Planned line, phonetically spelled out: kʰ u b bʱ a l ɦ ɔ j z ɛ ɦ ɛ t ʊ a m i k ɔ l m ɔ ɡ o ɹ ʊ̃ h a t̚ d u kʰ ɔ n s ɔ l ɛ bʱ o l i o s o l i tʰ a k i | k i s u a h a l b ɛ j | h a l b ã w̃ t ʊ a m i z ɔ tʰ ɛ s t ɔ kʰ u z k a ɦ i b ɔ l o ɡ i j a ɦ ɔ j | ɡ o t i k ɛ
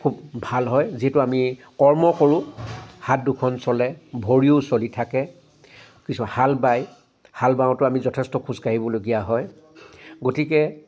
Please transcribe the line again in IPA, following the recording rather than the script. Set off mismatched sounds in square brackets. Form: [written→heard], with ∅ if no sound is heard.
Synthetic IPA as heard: kʰ u b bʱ a l ɦ ɔ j z [ɛ→i] ɦ ɛ t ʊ a m i k ɔ [l→ɹ] m ɔ [ɡ→k] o ɹ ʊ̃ h a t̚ d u kʰ ɔ n s ɔ l ɛ bʱ o [l→ɹ] i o s o l i tʰ a k [i→ɛ] | k i s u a h a l b [ɛ→a] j | h a l b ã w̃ t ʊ a m i z ɔ tʰ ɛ s t ɔ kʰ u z k a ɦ i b ɔ l o ɡ i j a ɦ ɔ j | ɡ o t i k ɛ